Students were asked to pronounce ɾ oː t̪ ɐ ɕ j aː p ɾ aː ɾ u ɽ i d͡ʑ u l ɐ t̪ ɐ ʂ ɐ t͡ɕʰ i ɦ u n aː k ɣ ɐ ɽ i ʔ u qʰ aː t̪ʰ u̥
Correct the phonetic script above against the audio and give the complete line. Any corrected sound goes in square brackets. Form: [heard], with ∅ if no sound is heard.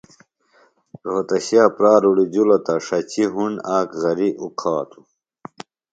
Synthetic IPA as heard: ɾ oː t̪ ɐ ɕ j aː p ɾ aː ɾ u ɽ i d͡ʑ u l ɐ t̪ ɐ ʂ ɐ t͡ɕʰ i ɦ u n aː k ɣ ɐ [ɾ] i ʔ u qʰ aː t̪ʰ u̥